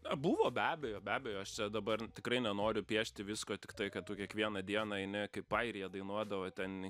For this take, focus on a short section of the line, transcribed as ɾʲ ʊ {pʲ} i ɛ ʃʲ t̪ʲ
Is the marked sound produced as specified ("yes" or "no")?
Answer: yes